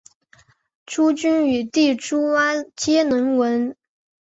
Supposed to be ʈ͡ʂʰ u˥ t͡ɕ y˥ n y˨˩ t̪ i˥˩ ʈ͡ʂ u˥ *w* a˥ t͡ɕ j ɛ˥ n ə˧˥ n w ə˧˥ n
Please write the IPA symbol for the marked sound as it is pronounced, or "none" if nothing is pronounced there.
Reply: w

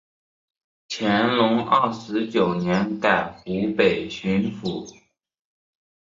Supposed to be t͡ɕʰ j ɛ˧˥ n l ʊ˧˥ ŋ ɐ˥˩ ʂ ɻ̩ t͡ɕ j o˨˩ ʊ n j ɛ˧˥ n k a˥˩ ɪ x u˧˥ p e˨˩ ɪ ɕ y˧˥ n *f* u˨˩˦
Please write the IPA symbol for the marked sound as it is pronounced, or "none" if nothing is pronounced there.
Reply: f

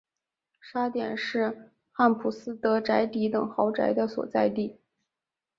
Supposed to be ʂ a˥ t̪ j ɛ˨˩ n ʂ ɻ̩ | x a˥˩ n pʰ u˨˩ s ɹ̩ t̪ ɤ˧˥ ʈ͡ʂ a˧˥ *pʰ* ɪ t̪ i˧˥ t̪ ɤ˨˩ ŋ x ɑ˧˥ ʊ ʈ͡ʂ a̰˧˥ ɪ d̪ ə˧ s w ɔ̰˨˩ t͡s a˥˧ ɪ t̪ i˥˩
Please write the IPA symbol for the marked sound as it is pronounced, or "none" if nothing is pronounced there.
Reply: none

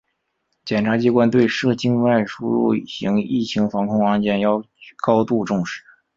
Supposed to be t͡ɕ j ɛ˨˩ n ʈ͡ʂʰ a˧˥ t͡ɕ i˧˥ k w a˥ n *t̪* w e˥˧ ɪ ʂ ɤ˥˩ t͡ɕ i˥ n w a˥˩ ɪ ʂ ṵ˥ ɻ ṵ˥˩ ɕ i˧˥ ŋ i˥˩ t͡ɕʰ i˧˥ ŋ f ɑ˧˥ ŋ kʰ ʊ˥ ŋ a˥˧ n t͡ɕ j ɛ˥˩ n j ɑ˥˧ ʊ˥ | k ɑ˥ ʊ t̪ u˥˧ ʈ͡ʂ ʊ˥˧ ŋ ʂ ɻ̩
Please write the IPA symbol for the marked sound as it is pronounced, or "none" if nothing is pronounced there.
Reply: t̪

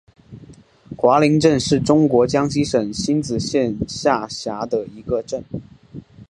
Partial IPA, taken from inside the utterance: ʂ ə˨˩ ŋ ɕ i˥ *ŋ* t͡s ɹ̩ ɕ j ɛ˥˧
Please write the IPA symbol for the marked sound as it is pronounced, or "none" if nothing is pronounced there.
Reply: n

